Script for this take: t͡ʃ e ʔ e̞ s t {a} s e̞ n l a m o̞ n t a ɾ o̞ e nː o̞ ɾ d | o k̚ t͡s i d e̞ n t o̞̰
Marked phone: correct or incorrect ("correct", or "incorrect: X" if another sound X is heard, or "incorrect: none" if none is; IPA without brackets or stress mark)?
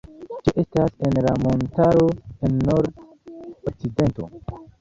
correct